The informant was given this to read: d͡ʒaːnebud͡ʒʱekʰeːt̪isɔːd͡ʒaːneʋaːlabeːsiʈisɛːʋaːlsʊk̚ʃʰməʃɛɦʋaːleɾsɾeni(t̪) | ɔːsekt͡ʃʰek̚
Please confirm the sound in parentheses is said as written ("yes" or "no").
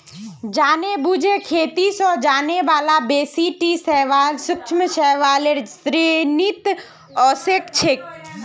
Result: yes